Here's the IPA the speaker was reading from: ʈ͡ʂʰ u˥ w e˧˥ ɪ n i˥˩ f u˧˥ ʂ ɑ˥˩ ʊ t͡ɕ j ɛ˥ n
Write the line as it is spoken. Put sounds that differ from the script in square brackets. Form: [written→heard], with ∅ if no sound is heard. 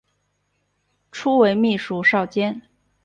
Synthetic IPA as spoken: ʈ͡ʂʰ u˥ w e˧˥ ɪ [n→m] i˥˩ [f→ʂ] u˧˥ ʂ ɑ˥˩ ʊ t͡ɕ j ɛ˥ n